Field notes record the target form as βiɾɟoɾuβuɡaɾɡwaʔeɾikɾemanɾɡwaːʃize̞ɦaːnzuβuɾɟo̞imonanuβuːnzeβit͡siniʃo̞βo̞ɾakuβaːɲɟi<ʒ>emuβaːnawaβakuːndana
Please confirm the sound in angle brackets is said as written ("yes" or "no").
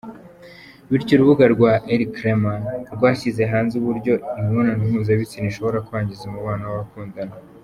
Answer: no